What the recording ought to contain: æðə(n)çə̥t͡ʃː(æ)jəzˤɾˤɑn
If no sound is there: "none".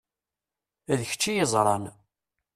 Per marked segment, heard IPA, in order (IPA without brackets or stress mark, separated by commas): none, i